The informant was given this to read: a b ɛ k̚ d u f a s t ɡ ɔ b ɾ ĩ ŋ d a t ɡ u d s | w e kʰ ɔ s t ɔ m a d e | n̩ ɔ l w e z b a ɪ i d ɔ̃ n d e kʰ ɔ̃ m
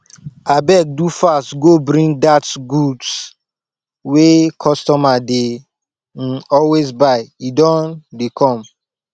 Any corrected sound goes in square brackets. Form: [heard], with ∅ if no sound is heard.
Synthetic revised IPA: a b ɛ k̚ d u f a s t ɡ [o] b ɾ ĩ ŋ d a t ɡ u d s | w e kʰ ɔ s t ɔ m a d e | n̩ ɔ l w e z b a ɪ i d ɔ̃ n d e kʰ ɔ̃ m